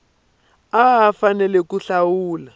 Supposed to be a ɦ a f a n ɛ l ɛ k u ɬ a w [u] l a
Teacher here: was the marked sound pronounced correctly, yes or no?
no